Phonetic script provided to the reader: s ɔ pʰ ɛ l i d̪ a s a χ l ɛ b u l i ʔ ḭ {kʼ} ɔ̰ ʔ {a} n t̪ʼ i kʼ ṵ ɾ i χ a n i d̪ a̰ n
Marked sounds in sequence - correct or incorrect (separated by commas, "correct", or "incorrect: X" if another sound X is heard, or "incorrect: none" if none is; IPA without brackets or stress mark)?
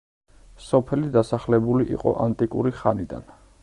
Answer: incorrect: qʼ, correct